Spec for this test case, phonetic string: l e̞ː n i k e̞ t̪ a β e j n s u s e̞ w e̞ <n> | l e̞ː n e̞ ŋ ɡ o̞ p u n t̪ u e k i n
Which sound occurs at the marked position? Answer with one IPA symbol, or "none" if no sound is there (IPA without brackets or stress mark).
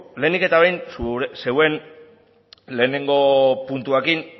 n